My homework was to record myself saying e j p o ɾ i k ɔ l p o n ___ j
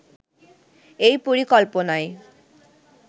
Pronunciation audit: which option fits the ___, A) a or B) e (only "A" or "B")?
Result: A